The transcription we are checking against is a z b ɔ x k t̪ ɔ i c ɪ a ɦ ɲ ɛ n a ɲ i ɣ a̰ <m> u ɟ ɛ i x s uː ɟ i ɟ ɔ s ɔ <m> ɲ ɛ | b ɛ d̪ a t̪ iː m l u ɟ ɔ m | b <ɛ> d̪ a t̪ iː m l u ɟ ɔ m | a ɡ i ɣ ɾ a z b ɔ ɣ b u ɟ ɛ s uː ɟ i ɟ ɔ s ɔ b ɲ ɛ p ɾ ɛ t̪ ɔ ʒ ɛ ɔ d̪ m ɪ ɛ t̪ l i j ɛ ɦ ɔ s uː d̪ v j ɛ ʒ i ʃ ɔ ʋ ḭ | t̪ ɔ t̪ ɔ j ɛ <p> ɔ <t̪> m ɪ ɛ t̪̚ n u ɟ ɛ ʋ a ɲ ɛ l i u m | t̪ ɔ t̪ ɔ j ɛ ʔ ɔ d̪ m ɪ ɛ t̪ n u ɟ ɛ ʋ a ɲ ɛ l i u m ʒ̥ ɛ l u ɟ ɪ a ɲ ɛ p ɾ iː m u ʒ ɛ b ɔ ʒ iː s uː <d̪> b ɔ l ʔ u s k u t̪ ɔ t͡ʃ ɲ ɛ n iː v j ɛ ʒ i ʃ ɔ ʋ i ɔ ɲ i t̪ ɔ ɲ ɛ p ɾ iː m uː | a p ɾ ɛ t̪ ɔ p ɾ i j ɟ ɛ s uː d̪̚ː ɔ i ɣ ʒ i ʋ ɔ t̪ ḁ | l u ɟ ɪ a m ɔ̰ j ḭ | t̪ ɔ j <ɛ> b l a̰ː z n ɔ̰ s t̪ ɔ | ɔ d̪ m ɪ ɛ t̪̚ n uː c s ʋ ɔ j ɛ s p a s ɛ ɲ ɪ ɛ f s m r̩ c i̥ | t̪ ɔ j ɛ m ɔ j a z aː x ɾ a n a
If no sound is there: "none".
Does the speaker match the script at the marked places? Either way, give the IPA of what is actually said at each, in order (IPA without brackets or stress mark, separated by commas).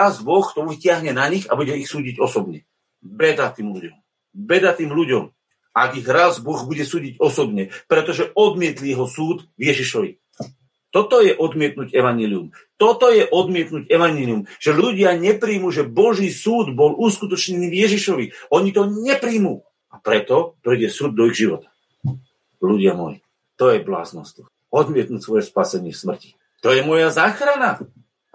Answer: b, b, ɛ, ʔ, d̪, d̪, ɛ